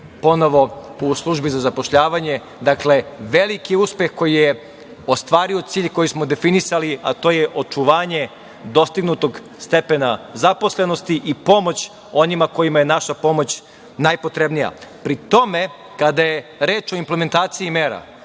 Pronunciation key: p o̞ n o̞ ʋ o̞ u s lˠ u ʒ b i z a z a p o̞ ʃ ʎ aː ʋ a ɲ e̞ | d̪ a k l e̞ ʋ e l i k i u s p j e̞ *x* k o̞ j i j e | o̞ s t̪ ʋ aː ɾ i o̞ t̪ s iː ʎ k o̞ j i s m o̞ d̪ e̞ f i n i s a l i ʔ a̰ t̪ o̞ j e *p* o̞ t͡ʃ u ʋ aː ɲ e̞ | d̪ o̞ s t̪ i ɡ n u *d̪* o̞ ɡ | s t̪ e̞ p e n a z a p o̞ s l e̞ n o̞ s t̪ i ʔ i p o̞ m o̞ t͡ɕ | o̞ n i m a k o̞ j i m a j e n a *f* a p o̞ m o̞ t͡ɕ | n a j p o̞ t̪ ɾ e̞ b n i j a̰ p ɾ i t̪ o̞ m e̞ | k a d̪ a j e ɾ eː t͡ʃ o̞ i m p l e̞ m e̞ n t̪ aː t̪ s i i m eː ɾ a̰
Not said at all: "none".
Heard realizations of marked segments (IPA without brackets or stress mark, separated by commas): x, ʔ, t̪, ʃ